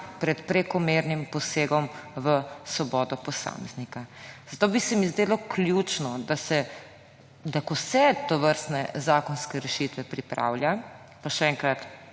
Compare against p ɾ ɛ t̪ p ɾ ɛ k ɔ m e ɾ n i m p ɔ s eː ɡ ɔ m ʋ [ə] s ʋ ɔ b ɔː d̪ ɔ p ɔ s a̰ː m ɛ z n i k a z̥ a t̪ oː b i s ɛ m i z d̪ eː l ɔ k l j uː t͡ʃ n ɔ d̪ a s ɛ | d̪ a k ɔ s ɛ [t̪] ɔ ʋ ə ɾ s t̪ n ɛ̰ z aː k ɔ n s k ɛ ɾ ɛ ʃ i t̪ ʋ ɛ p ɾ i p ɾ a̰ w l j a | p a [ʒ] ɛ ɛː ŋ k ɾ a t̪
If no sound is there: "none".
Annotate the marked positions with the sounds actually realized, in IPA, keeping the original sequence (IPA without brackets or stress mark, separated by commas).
ə, t̪, ʃ